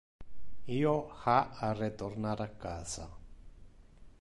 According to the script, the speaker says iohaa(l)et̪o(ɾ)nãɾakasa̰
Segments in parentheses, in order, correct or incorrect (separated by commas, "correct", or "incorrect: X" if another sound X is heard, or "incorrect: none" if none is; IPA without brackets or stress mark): incorrect: r, correct